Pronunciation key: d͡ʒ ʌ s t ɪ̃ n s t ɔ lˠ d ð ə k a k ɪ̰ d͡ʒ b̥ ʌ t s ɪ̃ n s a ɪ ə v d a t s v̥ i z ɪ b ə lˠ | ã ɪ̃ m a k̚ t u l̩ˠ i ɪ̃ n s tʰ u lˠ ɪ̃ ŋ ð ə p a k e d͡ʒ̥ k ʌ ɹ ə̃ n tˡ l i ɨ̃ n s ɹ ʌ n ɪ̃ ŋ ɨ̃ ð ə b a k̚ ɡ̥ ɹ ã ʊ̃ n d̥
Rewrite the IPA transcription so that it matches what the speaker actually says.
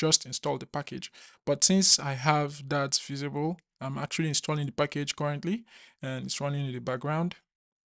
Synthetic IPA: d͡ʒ ʌ s t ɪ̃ n s t ɔ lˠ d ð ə p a k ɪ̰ d͡ʒ b̥ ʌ t s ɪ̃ n s a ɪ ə v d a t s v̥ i z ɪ b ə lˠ | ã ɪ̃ m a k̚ t͡ʃ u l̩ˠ i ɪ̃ n s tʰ ɔ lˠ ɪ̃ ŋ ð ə p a k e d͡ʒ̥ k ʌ ɹ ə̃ n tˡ l i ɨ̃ n s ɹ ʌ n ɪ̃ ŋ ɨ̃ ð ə b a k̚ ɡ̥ ɹ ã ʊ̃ n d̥